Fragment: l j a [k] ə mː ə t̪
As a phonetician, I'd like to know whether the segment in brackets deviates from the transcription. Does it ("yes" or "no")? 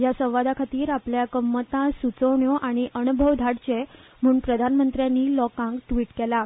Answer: no